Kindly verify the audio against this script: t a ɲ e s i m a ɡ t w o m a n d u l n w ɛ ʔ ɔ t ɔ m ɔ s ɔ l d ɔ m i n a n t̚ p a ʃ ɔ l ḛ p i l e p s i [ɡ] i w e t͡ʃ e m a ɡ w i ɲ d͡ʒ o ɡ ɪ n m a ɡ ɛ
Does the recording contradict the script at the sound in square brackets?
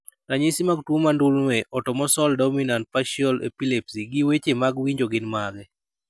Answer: no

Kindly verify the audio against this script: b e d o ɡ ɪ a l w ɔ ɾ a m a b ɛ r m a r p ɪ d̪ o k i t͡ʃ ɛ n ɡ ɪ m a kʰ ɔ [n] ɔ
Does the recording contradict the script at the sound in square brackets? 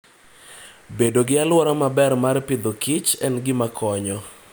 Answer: yes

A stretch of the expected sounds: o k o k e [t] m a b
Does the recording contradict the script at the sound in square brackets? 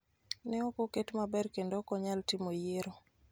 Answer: no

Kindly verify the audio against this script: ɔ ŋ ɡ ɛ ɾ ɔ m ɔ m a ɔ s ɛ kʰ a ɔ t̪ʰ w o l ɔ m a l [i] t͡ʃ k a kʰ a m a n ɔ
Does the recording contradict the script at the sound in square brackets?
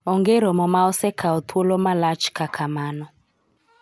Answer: yes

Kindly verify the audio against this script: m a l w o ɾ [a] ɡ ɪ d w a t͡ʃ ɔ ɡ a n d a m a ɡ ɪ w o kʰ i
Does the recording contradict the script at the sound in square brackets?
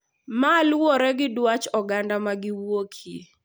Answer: yes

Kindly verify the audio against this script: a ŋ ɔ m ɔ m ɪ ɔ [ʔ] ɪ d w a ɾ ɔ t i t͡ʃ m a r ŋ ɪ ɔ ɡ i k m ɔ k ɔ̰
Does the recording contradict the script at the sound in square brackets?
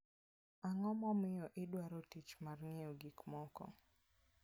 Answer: no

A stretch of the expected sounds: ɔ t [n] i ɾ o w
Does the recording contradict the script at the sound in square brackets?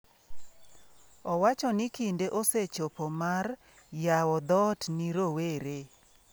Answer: no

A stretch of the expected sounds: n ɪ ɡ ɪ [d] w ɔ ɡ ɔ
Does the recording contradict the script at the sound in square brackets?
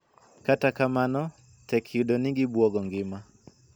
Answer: yes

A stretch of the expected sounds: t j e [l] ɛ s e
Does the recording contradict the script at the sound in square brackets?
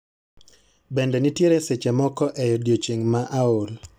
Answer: yes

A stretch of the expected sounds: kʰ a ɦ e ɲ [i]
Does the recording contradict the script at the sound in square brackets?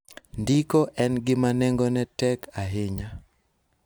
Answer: yes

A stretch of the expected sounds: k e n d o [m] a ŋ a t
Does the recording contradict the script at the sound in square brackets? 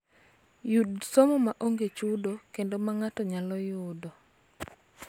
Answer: no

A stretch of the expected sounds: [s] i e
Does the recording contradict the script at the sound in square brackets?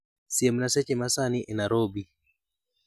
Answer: no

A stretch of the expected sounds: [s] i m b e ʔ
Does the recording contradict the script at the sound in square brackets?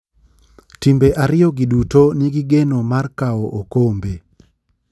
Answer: yes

